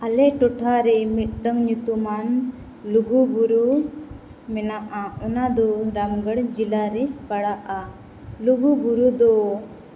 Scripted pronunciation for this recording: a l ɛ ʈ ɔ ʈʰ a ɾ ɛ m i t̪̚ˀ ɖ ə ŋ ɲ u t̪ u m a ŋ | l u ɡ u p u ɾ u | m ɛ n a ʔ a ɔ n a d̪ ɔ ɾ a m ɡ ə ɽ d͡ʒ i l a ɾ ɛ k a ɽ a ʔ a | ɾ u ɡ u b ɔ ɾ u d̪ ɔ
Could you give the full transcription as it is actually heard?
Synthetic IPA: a l ɛ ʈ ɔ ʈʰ a ɾ ɛ m i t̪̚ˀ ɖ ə ŋ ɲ u t̪ u m a n | l u ɡ u b u ɾ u | m ɛ n a ʔ a ɔ n a d̪ ɔ ɾ a m ɡ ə ɽ d͡ʒ i l a ɾ ɛ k a ɽ a ʔ a | l u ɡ u b u ɾ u d̪ ɔ